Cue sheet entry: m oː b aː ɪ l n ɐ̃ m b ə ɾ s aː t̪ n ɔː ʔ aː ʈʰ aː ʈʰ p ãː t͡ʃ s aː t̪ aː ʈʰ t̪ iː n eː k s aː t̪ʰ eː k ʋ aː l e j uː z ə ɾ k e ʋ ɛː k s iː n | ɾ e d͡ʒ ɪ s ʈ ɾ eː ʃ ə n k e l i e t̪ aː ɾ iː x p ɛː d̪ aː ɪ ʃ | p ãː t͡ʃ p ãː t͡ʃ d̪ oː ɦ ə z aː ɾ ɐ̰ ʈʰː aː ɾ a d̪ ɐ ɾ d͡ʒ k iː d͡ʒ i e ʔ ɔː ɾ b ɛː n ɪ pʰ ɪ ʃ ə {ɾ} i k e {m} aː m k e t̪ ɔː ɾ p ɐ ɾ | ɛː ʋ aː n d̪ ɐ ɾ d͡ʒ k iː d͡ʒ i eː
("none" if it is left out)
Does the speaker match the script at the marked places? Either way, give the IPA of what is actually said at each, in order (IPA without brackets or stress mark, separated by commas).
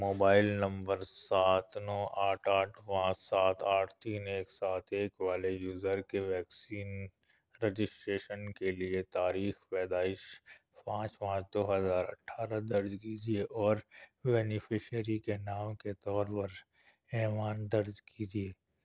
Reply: ɾ, n